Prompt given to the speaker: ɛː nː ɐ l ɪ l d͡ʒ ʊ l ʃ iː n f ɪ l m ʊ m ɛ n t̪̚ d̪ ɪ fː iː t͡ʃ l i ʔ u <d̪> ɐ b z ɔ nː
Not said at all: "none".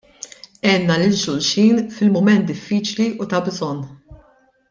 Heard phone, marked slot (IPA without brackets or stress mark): t̪